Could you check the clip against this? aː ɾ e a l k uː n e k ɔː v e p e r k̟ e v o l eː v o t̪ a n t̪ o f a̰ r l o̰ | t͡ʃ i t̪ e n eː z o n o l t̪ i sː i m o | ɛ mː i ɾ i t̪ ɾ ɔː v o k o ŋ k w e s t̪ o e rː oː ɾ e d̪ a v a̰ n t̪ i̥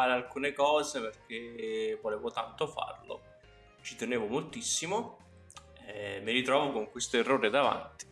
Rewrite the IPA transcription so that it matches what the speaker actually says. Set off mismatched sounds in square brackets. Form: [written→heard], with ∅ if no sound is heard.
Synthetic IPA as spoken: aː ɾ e a l k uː n e k ɔː [v→z] e p e r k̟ e v o l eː v o t̪ a n t̪ o f a̰ r l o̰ | t͡ʃ i t̪ e n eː [z→v] o [n→m] o l t̪ i sː i m o | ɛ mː i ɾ i t̪ ɾ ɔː v o k o ŋ k w e s t̪ o e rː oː ɾ e d̪ a v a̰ n t̪ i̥

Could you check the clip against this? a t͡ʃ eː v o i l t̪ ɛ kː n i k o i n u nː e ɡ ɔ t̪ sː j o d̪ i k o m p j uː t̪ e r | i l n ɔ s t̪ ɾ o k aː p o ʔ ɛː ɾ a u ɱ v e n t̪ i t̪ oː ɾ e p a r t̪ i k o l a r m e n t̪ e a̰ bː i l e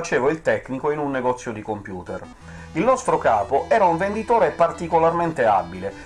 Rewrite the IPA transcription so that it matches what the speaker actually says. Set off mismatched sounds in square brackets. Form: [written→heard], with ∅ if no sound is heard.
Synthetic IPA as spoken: a t͡ʃ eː v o i l t̪ ɛ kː n i k o i n u nː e ɡ ɔ t̪ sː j o d̪ i k o m p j uː t̪ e r | i l n ɔ s t̪ ɾ o k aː p o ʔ ɛː ɾ a u ɱ v e n [t̪→d̪] i t̪ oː ɾ e p a r t̪ i k o l a r m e n t̪ e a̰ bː i l e

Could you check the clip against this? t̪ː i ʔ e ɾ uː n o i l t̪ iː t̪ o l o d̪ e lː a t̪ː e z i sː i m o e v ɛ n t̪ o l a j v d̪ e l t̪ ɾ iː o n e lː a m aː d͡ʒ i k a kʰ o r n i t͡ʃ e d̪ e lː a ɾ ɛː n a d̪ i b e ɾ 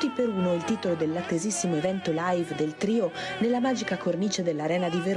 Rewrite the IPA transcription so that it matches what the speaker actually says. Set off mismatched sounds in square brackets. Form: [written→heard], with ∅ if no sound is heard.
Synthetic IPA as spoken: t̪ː i [ʔ→p] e ɾ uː n o i l t̪ iː t̪ o l o d̪ e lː a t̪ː e z i sː i m o e v ɛ n t̪ o l a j v d̪ e l t̪ ɾ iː o n e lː a m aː d͡ʒ i k a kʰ o r n i t͡ʃ e d̪ e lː a ɾ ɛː n a d̪ i [b→v] e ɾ

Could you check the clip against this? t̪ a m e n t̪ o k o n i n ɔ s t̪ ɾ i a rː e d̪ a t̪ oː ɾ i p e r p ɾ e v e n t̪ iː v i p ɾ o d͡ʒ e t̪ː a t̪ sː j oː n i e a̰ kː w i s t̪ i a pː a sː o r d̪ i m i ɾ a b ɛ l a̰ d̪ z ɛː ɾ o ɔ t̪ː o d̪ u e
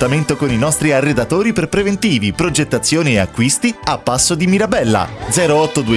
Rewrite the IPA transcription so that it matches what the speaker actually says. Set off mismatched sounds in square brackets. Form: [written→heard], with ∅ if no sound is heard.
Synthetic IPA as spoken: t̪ a m e n t̪ o k o n i n ɔ s t̪ ɾ i a rː e d̪ a t̪ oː ɾ i p e r p ɾ e v e n t̪ iː v i p ɾ o d͡ʒ e t̪ː a t̪ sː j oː n i e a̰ kː w i s t̪ i a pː a sː o [r→∅] d̪ i m i ɾ a b ɛ [l→lː] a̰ d̪ z ɛː ɾ o ɔ t̪ː o d̪ u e

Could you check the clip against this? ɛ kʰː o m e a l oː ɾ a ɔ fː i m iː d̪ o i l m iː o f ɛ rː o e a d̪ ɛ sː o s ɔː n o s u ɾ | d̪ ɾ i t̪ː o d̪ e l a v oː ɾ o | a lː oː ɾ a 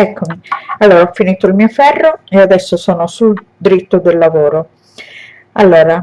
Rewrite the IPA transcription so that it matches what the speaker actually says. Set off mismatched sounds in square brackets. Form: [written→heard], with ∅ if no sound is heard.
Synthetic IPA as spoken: ɛ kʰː o m [e→i] a [l→lː] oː ɾ a ɔ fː i [m→n] iː [d̪→t̪] o i l m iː o f ɛ rː o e a d̪ ɛ sː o s ɔː n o s u [ɾ→l] | d̪ ɾ i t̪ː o d̪ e [l→lː] a v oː ɾ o | a lː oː ɾ a

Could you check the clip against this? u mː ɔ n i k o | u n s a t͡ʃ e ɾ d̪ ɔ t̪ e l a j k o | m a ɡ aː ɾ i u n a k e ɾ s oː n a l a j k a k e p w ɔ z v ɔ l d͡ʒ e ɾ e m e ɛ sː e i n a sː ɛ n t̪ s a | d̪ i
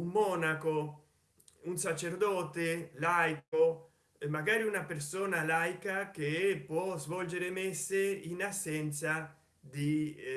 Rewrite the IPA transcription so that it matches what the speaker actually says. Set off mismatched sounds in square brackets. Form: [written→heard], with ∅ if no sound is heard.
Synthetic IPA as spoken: u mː ɔ n [i→a] k o | u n s a t͡ʃ e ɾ d̪ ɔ t̪ e l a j k o | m a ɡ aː ɾ i u n a [k→p] e ɾ s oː n a l a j k a k e p w ɔ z v ɔ l d͡ʒ e ɾ e m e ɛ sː e i n a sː ɛ n t̪ s a | d̪ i

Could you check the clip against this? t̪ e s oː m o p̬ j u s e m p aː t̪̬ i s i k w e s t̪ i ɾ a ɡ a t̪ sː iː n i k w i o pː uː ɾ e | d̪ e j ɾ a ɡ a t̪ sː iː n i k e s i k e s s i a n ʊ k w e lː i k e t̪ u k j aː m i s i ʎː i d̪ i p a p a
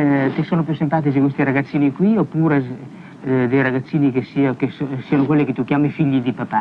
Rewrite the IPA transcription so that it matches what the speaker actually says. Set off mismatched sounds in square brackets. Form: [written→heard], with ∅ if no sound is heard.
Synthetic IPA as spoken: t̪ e s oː [m→n] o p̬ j u s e m p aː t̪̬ i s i k w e s t̪ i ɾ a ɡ a t̪ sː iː n i k w i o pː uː ɾ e | d̪ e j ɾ a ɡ a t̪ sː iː n i k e s i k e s s i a n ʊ k w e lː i k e t̪ u k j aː m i [s→f] i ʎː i d̪ i p a p a

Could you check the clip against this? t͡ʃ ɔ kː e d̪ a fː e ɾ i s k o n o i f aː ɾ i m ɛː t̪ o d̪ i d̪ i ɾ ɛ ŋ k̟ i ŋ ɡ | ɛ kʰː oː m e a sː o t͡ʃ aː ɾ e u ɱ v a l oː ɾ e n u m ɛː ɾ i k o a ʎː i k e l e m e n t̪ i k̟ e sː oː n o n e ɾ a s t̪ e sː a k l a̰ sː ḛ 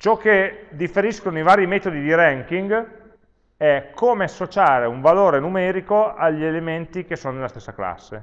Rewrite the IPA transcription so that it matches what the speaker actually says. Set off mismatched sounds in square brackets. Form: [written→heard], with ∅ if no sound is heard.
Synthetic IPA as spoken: t͡ʃ ɔ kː e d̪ [a→i] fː e ɾ i s k o n o i [f→v] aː ɾ i m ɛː t̪ o d̪ i d̪ i ɾ ɛ ŋ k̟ i ŋ ɡ | ɛ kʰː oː m e a sː o t͡ʃ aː ɾ e u ɱ v a l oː ɾ e n u m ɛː ɾ i k o a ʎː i [k→∅] e l e m e n t̪ i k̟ e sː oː n o n e [ɾ→l] a s t̪ e sː a k l a̰ sː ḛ

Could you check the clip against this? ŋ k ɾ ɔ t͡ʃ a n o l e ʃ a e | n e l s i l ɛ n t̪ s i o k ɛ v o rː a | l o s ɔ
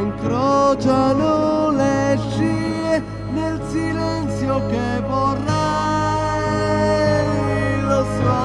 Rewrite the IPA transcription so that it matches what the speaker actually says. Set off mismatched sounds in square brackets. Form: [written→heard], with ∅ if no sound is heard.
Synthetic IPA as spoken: ŋ k ɾ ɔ t͡ʃ a n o l e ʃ [a→i] e | n e l s i l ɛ n t̪ s [i→j] o k [ɛ→e] v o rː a | l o s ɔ

